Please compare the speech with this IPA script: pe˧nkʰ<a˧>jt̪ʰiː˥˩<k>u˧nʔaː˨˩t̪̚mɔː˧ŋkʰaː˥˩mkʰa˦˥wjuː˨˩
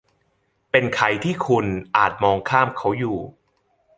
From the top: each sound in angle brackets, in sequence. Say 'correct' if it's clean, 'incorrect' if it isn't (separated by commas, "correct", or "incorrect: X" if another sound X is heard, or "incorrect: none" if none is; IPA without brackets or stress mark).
correct, incorrect: kʰ